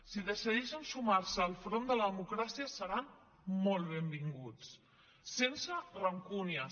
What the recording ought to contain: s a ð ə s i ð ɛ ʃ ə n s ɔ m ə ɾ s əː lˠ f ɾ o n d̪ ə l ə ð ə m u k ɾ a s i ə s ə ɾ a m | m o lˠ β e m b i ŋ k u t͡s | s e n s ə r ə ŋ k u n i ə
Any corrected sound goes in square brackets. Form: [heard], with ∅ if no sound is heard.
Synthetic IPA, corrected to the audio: s [i] ð ə s i ð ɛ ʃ ə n s [u] m [a] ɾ s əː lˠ f ɾ o n d̪ ə l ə ð ə m u k ɾ a s i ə s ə ɾ a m | m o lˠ β e m b i ŋ [ɡ] u t͡s | s e n s ə r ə ŋ k u n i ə